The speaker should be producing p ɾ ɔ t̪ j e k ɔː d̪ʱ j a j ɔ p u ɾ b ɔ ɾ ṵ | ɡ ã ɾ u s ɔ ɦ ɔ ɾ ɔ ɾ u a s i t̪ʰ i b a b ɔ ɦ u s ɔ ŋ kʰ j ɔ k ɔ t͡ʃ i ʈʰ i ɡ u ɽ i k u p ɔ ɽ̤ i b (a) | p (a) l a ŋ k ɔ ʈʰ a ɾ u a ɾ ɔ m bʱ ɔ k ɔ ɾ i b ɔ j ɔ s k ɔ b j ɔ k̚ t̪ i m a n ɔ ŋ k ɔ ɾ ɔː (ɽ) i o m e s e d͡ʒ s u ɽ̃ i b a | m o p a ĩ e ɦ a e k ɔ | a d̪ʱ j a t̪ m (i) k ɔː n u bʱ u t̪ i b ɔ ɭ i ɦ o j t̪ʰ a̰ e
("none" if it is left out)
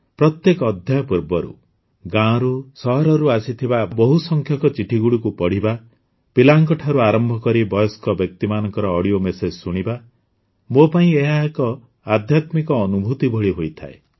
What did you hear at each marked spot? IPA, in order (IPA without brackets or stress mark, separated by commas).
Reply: a, i, ɽ, i